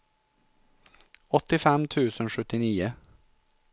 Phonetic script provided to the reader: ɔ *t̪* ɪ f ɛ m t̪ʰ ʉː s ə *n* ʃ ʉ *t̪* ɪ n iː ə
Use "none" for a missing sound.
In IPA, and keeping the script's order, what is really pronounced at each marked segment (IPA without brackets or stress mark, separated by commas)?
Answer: t̪, n, t̪